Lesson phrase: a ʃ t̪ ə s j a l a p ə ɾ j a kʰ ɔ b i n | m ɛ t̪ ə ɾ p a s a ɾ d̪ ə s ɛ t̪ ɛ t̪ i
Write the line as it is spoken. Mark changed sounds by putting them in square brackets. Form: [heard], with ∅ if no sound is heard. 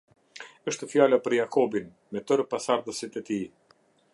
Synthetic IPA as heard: [ə] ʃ t̪ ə [f] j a l a p ə ɾ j a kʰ ɔ b i n | m ɛ t̪ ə ɾ p a s a ɾ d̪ ə s [i] t̪ ɛ t̪ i